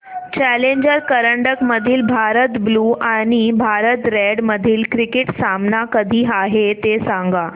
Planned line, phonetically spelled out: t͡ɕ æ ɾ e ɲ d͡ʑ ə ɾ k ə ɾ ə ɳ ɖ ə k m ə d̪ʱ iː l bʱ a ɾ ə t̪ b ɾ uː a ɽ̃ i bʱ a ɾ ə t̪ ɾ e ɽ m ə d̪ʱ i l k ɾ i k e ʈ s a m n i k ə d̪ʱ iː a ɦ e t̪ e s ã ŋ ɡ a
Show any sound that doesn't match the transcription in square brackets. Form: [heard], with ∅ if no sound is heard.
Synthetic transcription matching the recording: t͡ɕ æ [l] e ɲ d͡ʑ ə ɾ k ə ɾ ə ɳ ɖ ə k m ə d̪ʱ iː l bʱ a ɾ ə t̪ b [l] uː a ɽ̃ i bʱ a ɾ ə t̪ ɾ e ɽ m ə d̪ʱ [iː] l k ɾ i k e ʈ s a m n [a] k ə d̪ʱ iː a ɦ e t̪ e s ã ŋ ɡ a